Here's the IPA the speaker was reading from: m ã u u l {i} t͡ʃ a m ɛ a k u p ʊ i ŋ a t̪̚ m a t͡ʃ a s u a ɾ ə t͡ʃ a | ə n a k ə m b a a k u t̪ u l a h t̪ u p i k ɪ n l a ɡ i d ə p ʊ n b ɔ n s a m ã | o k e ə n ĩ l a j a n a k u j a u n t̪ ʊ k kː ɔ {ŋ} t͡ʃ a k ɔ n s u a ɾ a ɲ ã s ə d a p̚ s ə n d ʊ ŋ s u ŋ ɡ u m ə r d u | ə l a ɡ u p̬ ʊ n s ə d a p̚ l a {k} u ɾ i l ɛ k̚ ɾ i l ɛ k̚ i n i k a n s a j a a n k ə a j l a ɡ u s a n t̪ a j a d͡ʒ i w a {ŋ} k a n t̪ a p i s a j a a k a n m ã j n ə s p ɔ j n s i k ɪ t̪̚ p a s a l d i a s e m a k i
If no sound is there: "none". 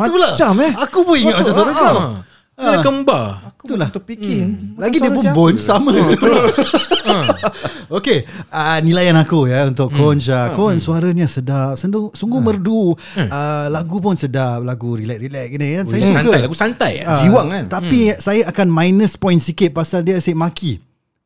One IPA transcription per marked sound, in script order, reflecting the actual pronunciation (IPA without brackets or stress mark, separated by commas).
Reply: a, n, ɡ, ŋ